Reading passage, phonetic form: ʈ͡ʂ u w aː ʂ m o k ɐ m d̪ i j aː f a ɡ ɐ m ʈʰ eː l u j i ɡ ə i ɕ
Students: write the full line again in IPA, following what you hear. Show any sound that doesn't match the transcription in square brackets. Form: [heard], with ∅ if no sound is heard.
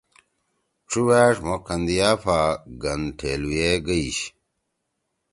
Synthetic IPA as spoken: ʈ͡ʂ u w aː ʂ m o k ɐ [n] d̪ i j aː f a ɡ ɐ [n] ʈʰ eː l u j [e] ɡ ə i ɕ